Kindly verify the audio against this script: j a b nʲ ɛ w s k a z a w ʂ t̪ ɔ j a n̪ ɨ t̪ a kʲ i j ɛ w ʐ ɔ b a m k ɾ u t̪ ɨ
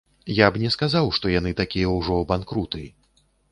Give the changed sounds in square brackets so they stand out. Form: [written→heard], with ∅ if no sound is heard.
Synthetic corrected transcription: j a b nʲ ɛ [w→∅] s k a z a w ʂ t̪ ɔ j a n̪ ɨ t̪ a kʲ i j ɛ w ʐ ɔ b a [m→n] k ɾ u t̪ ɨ